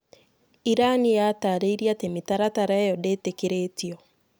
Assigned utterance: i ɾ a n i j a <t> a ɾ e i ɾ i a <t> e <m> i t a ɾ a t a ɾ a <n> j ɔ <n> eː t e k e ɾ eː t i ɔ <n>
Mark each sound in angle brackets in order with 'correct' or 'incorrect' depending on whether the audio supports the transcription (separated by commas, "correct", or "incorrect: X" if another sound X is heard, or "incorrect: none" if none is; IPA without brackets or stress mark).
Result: correct, correct, correct, incorrect: none, incorrect: d, incorrect: none